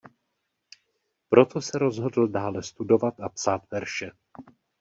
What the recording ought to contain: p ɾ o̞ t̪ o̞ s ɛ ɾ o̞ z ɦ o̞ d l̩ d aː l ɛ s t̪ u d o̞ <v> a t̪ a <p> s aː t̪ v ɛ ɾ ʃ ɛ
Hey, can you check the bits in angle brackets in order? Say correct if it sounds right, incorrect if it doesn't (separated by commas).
correct, correct